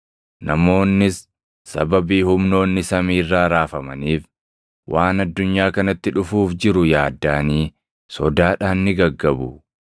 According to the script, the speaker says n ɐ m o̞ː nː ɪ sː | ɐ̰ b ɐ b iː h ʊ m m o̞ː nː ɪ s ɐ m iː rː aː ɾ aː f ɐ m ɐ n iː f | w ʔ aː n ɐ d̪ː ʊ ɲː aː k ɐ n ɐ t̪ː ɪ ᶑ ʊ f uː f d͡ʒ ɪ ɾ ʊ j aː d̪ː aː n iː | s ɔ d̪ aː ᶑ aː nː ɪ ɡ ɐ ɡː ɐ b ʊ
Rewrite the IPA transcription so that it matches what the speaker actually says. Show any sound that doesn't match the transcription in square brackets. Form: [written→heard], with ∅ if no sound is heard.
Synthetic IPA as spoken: n ɐ m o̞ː nː ɪ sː | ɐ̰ b ɐ b iː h ʊ m [m→n] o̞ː nː ɪ s ɐ m iː rː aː ɾ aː f ɐ m ɐ n iː f | w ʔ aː n ɐ d̪ː ʊ ɲː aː k ɐ n ɐ t̪ː ɪ ᶑ ʊ f uː f d͡ʒ ɪ ɾ ʊ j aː d̪ː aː n iː | s ɔ d̪ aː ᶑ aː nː ɪ ɡ ɐ ɡː ɐ b ʊ

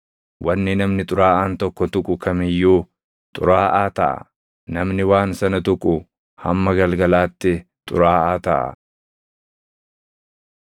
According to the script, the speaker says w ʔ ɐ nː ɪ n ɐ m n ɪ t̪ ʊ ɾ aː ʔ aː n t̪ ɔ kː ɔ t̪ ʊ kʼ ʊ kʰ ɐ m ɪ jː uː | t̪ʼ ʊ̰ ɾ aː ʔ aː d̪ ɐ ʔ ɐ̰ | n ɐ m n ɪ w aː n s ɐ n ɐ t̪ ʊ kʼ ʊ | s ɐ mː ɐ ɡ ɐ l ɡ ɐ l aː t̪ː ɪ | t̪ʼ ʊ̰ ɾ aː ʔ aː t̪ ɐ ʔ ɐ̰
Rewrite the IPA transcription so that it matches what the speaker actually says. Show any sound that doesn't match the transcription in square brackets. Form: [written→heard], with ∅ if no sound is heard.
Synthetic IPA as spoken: w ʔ ɐ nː ɪ n ɐ m n ɪ [t̪→t̪ʼ] ʊ ɾ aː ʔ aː n t̪ ɔ kː ɔ t̪ ʊ kʼ ʊ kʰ ɐ m ɪ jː uː | t̪ʼ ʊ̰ ɾ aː ʔ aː [d̪→t̪] ɐ ʔ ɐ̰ | n ɐ m n ɪ w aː n s ɐ n ɐ t̪ ʊ kʼ ʊ | [s→h] ɐ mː ɐ ɡ ɐ l ɡ ɐ l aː t̪ː ɪ | t̪ʼ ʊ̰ ɾ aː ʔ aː t̪ ɐ ʔ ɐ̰

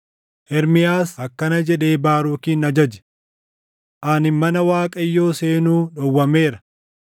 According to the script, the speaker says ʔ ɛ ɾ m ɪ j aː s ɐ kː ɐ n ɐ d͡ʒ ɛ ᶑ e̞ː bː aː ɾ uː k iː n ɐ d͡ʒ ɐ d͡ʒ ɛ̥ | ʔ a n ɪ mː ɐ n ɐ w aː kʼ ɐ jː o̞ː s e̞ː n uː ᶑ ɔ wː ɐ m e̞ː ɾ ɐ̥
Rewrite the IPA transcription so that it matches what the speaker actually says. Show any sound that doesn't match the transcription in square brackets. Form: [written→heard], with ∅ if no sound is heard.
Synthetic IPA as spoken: ʔ ɛ ɾ m ɪ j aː s ɐ kː ɐ n ɐ d͡ʒ ɛ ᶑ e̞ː [bː→b] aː ɾ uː k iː n ɐ d͡ʒ ɐ d͡ʒ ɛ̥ | ʔ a n ɪ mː ɐ n ɐ w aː kʼ ɐ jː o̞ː s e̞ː n uː ᶑ ɔ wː ɐ m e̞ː ɾ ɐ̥

